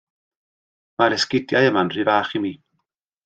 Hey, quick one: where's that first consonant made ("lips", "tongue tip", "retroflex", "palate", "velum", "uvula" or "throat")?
lips